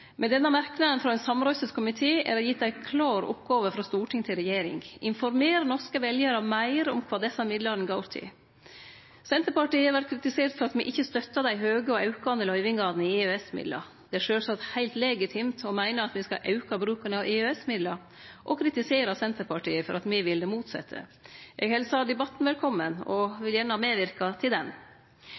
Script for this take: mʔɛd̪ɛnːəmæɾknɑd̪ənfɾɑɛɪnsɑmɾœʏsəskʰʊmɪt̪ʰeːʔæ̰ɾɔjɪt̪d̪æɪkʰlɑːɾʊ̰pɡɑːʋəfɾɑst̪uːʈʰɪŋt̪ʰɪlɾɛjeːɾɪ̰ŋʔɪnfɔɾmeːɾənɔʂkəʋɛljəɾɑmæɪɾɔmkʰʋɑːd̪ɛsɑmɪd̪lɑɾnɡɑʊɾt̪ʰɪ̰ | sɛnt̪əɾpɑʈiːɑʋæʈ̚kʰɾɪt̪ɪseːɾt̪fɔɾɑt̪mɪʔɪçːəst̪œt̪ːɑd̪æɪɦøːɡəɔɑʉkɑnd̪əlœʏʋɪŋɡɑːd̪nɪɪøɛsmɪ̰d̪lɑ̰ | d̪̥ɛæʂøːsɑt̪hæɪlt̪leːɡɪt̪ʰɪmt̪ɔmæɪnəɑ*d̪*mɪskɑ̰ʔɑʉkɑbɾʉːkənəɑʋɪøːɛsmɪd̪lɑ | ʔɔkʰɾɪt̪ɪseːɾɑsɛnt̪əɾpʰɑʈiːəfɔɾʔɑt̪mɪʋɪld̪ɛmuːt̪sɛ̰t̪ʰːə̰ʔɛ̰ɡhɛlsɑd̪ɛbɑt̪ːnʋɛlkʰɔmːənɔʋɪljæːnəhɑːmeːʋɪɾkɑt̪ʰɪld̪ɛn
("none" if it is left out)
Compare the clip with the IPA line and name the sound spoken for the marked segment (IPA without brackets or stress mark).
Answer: t̪